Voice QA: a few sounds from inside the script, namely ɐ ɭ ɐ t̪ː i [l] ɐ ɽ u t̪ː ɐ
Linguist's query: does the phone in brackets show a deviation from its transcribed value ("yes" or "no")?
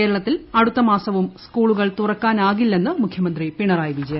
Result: no